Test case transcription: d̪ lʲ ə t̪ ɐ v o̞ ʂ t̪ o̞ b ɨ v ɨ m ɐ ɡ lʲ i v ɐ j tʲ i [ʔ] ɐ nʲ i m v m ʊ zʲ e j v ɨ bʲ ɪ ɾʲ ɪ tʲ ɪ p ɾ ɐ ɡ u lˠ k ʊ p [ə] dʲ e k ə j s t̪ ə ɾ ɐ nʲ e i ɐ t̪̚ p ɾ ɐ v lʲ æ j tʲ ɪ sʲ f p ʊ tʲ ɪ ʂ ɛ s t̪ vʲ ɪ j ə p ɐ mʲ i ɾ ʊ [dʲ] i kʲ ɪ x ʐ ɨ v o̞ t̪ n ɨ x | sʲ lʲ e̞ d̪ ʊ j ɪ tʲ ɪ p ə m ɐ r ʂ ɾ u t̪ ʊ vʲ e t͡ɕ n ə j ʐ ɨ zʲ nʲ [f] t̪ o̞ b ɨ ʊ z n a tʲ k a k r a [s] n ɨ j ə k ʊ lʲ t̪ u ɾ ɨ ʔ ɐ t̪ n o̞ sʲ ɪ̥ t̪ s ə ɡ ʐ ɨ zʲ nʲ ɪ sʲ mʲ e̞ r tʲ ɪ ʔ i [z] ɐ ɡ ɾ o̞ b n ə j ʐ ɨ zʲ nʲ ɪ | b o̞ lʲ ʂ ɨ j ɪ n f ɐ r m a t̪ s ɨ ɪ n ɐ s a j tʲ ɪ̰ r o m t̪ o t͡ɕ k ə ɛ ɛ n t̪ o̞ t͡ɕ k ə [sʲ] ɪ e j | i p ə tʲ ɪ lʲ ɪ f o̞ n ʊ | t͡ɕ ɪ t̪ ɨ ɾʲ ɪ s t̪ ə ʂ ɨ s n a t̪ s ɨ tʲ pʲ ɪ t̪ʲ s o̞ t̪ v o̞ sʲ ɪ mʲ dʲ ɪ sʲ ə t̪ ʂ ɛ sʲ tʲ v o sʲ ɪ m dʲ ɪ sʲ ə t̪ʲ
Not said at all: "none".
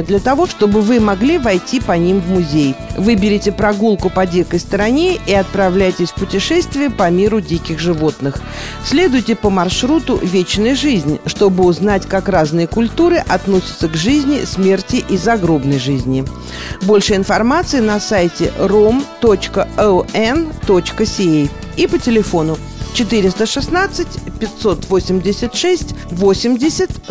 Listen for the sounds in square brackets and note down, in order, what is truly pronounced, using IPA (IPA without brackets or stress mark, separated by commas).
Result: p, ɐ, dʲ, ʂ, z, z, sʲ